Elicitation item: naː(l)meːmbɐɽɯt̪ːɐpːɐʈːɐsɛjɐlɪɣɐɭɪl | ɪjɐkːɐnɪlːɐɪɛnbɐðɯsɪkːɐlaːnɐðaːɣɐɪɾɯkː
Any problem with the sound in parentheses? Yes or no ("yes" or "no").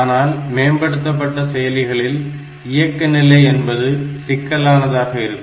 no